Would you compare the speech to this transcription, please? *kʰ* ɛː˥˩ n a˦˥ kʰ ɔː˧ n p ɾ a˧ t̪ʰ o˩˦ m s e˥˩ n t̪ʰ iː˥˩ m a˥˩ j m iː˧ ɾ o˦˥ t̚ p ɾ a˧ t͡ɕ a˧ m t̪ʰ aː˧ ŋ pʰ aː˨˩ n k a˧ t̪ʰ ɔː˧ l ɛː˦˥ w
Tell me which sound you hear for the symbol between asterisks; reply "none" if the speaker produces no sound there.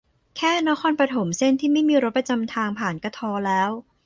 kʰ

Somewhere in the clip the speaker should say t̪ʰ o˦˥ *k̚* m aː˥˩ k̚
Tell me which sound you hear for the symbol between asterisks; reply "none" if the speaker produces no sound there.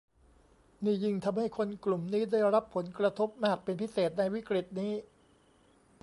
p̚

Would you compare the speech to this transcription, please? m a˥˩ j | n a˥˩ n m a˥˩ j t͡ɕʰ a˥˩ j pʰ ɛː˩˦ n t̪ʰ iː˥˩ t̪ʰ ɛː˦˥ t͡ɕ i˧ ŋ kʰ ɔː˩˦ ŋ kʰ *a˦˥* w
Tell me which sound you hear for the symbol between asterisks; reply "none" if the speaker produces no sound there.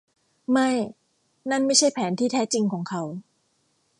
a˦˥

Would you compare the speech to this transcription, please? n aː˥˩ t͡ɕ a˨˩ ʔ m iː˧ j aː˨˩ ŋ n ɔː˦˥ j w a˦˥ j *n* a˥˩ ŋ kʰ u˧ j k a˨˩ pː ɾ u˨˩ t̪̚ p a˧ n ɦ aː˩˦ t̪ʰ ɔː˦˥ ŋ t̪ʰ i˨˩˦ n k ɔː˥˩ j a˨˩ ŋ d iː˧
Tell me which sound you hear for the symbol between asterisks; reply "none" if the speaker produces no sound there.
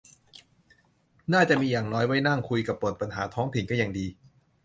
n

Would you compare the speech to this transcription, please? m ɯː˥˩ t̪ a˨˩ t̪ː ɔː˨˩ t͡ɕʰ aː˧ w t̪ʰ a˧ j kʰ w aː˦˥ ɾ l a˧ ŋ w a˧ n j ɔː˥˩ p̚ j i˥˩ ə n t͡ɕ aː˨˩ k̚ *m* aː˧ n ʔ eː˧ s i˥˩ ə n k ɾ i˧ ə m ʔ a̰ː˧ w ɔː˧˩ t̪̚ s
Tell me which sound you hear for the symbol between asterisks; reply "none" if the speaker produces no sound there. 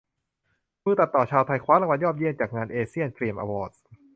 ŋ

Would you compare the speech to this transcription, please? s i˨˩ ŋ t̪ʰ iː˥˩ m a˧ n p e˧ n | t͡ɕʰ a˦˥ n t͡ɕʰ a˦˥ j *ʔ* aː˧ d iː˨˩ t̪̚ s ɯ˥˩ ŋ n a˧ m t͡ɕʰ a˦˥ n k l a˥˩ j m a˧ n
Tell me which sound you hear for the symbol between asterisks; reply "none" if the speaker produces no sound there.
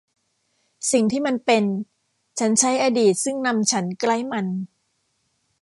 ʔ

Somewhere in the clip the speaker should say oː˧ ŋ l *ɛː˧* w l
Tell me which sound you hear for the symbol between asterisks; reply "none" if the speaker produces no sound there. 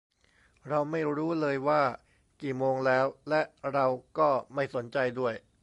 ɛː˦˥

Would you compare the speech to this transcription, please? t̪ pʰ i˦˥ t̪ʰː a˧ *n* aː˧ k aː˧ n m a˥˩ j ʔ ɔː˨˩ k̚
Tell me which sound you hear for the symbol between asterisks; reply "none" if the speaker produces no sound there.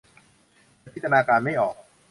n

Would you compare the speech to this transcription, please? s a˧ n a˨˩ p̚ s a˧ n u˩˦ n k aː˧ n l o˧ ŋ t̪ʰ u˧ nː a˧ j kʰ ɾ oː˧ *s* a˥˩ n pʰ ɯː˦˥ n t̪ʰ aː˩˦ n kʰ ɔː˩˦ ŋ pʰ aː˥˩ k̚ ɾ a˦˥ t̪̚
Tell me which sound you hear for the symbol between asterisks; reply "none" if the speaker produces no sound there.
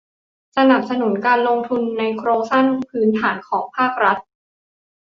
s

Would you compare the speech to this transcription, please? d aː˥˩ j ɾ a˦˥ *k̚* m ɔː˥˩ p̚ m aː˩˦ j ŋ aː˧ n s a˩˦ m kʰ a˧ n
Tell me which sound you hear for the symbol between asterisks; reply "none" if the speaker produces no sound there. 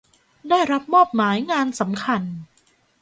p̚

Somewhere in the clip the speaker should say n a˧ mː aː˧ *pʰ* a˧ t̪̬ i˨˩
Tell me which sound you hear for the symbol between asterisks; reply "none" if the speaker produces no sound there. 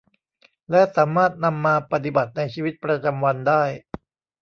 p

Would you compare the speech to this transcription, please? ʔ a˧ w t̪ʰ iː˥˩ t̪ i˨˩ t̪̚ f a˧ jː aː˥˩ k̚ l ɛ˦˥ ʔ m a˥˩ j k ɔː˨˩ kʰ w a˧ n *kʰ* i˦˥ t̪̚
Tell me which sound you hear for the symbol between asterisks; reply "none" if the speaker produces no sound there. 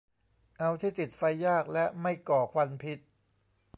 pʰ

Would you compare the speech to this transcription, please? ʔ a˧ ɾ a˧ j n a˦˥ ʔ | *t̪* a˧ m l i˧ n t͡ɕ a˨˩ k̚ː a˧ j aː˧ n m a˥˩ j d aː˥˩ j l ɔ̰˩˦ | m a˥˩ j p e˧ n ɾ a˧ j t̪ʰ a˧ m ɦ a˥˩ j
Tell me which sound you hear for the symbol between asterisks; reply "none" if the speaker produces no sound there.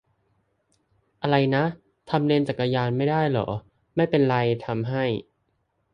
t̪ʰ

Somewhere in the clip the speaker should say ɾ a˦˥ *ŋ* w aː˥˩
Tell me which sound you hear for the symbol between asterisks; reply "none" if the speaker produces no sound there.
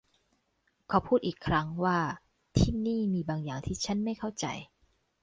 ŋ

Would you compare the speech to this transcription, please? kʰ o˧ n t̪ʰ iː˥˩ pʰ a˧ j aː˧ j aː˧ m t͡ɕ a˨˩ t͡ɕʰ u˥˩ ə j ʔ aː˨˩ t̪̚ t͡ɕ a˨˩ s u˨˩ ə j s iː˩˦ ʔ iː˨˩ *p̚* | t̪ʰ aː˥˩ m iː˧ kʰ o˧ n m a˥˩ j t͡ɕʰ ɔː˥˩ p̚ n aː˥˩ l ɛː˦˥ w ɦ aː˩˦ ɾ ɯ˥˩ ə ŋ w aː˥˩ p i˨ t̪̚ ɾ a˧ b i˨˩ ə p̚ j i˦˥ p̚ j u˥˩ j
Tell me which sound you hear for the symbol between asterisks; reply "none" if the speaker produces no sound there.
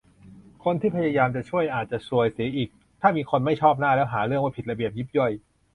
k̚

